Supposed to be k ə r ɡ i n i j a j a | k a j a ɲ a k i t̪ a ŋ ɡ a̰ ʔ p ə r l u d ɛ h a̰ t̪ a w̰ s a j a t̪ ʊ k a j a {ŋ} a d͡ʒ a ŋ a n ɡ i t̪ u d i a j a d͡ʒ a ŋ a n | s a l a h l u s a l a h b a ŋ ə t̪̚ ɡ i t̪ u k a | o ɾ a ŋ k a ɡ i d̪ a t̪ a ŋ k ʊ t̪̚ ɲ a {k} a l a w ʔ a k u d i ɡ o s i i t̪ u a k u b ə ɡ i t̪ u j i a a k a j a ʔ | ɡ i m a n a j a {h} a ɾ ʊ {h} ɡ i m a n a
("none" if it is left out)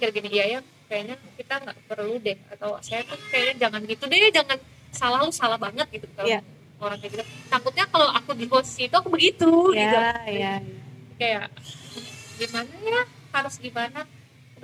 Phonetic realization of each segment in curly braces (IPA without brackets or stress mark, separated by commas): ɲ, k, h, s